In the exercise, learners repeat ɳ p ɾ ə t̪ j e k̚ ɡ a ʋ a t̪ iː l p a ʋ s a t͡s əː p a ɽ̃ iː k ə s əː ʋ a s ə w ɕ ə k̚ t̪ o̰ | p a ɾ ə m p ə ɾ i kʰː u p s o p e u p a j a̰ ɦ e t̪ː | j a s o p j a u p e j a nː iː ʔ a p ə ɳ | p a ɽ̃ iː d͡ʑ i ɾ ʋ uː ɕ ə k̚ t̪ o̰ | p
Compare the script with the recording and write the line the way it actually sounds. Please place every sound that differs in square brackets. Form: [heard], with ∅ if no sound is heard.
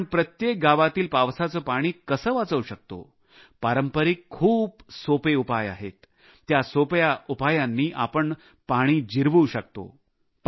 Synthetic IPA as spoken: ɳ p ɾ ə t̪ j e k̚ ɡ a ʋ a t̪ iː l p a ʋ s a t͡s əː p a ɽ̃ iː k ə s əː ʋ a [t͡s] ə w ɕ ə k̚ t̪ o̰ | p a ɾ ə m p ə ɾ i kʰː [uː] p s o p e u p a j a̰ ɦ e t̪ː | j a s o p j a u p [a] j a nː iː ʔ a p ə ɳ | p a ɽ̃ iː d͡ʑ i ɾ ʋ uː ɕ ə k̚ t̪ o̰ | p